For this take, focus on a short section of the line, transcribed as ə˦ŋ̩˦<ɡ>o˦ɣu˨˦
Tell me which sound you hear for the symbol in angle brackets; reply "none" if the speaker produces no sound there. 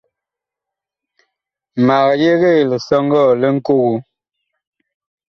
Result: k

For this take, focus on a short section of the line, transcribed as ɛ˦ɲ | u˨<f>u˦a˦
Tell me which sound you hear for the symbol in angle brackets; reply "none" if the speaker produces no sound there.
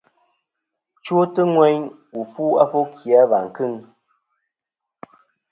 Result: f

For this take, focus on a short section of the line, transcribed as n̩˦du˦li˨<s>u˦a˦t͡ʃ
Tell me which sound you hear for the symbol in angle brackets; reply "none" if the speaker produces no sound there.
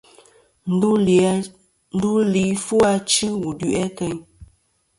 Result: f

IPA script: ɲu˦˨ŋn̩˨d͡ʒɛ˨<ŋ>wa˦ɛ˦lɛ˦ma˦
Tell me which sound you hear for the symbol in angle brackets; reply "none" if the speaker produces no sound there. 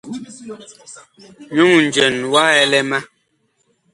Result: n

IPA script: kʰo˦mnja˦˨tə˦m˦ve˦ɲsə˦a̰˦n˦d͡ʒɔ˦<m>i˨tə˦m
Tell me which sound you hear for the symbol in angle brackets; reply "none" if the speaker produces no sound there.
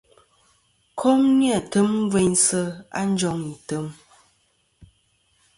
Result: ŋ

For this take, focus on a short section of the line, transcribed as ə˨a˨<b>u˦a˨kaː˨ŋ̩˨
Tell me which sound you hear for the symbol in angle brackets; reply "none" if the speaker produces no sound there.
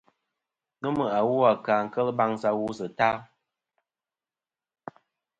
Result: w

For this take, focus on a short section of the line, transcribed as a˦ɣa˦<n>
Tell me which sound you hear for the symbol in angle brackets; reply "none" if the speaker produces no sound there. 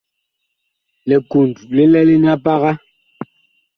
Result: none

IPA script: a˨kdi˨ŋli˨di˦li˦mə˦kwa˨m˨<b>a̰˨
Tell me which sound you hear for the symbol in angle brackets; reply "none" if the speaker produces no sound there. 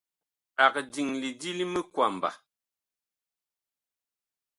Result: b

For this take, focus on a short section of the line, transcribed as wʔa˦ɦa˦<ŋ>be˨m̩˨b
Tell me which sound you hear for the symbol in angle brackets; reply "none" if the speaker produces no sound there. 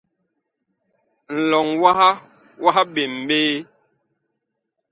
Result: none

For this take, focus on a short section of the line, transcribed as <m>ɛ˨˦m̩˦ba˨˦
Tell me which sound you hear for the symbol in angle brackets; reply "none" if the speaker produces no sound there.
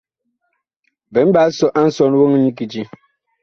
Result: b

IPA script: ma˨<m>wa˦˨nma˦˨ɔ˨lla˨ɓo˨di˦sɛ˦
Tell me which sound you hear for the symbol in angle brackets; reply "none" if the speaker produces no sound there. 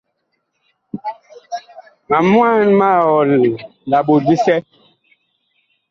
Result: m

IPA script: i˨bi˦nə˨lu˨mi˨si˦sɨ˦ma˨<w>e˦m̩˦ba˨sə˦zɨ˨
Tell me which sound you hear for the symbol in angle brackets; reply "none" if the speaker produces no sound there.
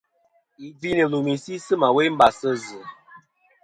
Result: w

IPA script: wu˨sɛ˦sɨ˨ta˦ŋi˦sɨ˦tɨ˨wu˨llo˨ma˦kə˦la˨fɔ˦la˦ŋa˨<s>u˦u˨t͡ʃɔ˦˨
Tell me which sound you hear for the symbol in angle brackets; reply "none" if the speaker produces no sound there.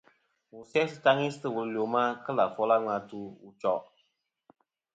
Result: t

